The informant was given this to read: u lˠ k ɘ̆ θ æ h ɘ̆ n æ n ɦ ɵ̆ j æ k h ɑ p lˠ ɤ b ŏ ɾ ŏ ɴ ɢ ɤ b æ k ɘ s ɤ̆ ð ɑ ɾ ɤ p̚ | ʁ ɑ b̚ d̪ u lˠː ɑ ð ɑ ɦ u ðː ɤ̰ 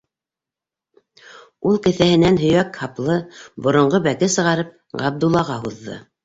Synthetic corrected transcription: u lˠ k ɘ̆ θ æ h ɘ̆ n æ n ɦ ɵ̆ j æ k h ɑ p lˠ ɤ b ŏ ɾ ŏ ɴ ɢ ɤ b æ k ɘ s ɤ̆ ʁ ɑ ɾ ɤ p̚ | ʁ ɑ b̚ d̪ u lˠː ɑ ʁ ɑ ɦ u ðː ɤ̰

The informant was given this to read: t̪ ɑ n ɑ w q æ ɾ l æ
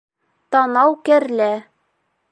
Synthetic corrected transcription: t̪ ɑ n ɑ w k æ ɾ l æ

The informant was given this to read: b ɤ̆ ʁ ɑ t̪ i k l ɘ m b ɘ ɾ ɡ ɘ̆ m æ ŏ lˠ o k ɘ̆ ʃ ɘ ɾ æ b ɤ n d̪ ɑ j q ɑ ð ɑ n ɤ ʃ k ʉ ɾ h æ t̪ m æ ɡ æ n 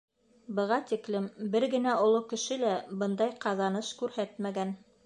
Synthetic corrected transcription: b ɤ̆ ʁ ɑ t̪ i k l ɘ m b ɘ ɾ ɡ ɘ̆ n æ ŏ lˠ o k ɘ̆ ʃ ɘ l æ b ɤ n d̪ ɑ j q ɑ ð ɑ n ɤ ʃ k ʉ ɾ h æ t̪ m æ ɡ æ n

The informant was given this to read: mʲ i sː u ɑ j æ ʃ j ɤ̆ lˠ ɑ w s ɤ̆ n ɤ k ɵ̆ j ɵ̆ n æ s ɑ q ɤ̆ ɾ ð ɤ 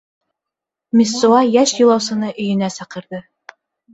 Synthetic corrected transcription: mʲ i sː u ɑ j æ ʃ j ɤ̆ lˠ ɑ w s ɤ̆ n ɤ ʔ ɵ̆ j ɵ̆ n æ s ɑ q ɤ̆ ɾ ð ɤ

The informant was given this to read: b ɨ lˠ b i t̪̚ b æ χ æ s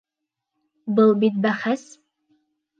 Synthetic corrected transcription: b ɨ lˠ b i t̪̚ b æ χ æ s

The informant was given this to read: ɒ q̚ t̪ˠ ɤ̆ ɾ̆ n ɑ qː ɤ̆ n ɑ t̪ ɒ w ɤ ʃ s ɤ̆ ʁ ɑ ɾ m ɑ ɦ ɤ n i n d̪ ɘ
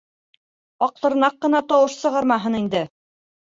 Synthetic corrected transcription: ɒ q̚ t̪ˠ ɤ̆ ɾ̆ n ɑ qː ɤ̆ n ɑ t̪ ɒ w ɤ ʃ s ɤ̆ ʁ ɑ ɾ m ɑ ɦ ɤ n i n d̪ ɘ

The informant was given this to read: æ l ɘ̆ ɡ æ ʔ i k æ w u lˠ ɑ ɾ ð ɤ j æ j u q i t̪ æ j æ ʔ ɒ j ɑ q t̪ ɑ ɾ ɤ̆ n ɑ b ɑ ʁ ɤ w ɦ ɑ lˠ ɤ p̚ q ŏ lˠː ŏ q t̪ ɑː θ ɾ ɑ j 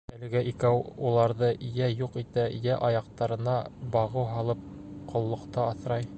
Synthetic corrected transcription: æ l ɘ̆ ɡ æ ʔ i k æ w u lˠ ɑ ɾ ð ɤ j æ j u q i t̪ æ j æ ʔ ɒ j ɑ q t̪ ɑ ɾ ɤ̆ n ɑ b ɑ ʁ ɤ w ɦ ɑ lˠ ɤ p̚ q ŏ lˠː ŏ q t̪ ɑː θ ɾ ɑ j

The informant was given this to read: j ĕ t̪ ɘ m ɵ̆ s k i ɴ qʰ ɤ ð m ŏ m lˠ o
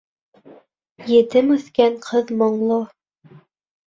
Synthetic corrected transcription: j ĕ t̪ ɘ m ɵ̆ θ k æ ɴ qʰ ɤ ð m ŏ ɴ lˠ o

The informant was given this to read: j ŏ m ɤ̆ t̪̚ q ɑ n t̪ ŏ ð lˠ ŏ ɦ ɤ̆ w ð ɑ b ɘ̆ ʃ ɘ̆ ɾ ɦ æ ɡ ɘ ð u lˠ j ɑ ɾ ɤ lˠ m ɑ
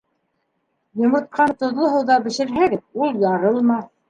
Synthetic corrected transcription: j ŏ m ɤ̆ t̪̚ q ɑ n t̪ ŏ ð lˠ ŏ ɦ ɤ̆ w ð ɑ b ɘ̆ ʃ ɘ̆ ɾ ɦ æ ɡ ɘ ð u lˠ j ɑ ɾ ɤ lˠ m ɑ

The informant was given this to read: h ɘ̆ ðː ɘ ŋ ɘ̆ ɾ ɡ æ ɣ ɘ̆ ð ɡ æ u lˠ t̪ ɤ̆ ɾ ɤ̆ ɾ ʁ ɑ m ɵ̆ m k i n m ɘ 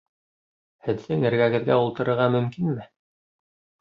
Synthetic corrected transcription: h ɘ̆ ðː ɘ ŋ ɘ̆ ɾ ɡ æ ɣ ɘ̆ ð ɡ æ u lˠ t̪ ɤ̆ ɾ ɤ̆ ɾ ʁ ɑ m ɵ̆ m k i n m ɘ

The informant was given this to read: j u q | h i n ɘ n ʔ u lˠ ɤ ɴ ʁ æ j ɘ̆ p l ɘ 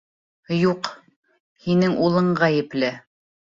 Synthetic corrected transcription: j u q | h i n ɘ ŋ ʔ u lˠ ɤ ɴ ʁ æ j ɘ̆ p l ɘ

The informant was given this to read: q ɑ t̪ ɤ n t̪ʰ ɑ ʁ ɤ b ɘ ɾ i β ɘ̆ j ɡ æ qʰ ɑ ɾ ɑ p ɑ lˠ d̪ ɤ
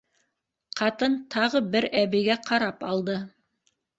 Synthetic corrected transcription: q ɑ t̪ ɤ n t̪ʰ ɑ ʁ ɤ b ɘ ɾ æ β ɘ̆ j ɡ æ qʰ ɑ ɾ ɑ p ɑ lˠ d̪ ɤ

